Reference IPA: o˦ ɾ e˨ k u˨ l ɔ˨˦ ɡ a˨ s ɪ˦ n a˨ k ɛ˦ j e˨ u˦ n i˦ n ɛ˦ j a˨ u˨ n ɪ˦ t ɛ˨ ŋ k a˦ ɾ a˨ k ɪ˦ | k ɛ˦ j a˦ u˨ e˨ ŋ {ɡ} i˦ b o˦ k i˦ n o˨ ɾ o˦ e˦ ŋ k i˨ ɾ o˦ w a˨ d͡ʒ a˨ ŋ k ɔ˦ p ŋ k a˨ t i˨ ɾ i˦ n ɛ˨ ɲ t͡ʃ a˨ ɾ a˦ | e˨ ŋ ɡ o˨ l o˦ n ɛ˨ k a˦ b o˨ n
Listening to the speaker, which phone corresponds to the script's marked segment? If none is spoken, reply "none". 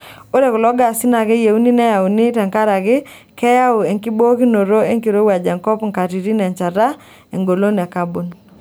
k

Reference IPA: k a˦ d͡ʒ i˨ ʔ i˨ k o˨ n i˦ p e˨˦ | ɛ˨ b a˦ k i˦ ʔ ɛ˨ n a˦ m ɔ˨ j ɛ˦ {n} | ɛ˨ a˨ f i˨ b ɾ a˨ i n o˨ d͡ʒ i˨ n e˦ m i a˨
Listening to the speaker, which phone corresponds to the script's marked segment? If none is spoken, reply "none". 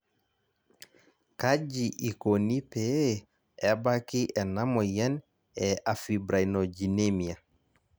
n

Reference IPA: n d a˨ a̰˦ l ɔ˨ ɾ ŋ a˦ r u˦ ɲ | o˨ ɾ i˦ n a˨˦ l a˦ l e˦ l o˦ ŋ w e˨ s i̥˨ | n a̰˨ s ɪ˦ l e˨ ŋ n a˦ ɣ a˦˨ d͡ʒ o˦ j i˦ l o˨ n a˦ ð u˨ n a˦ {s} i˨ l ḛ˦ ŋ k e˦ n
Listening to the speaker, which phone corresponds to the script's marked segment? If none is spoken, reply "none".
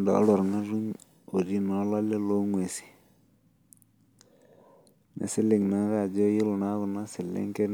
s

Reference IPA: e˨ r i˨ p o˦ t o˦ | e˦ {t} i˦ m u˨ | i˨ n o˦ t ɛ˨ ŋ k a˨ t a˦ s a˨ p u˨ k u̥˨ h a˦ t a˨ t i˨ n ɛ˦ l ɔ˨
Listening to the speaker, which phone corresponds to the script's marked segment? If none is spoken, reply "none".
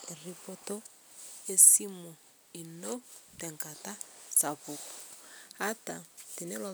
s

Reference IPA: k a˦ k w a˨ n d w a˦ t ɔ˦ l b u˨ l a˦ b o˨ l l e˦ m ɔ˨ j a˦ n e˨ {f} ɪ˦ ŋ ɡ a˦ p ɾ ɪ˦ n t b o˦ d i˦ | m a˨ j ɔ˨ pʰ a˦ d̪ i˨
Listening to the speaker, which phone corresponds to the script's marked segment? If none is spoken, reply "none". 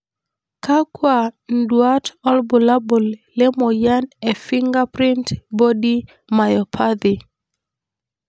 f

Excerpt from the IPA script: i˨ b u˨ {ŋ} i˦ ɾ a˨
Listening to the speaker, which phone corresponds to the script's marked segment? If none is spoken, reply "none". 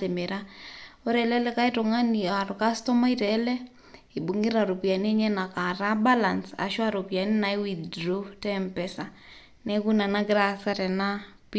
ŋ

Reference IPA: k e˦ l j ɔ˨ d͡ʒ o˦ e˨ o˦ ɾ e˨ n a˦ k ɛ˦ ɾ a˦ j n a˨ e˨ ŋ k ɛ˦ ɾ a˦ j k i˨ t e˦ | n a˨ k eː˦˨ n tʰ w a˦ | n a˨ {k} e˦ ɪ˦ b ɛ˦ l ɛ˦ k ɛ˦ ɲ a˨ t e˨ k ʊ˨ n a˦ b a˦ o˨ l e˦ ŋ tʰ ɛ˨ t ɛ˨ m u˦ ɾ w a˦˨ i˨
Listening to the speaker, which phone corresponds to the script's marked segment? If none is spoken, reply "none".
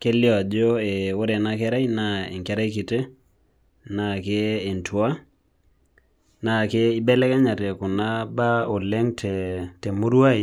k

